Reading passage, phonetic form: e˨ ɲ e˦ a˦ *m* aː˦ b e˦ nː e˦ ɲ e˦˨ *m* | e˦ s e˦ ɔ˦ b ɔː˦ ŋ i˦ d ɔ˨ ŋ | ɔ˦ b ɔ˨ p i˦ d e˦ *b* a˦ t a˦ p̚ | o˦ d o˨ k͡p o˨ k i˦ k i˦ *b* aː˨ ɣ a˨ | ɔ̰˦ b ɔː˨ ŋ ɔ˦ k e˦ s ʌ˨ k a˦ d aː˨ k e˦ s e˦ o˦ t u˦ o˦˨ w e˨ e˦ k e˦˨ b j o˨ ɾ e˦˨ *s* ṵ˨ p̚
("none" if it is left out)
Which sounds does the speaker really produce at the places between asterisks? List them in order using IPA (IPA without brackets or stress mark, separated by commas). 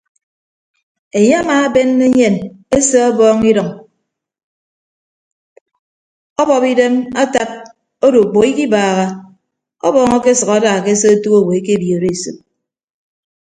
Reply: m, n, m, b, s